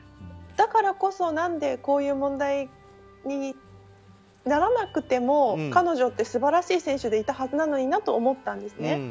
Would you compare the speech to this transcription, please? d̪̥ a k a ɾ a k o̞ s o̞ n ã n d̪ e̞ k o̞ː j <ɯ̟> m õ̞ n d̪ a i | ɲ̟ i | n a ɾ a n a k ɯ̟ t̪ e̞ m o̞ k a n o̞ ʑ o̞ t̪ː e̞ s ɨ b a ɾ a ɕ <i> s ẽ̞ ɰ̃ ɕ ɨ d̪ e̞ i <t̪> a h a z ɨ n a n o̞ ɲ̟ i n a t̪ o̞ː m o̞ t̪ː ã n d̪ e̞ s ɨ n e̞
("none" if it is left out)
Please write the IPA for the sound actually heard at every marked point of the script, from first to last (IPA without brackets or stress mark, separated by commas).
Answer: ɯ̟ː, iː, t̪